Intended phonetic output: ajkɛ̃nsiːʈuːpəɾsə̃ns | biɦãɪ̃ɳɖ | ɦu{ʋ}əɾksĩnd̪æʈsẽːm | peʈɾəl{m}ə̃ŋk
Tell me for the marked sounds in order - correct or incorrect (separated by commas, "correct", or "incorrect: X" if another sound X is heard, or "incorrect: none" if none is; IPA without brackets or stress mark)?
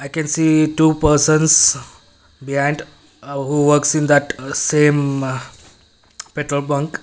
correct, incorrect: b